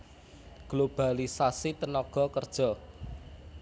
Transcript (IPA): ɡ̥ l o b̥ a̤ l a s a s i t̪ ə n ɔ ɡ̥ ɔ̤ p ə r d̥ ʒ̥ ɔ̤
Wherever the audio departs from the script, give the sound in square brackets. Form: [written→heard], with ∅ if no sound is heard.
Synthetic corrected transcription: ɡ̥ l o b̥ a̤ l [a→i] s a s i t̪ ə n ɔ ɡ̥ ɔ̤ [p→k] ə r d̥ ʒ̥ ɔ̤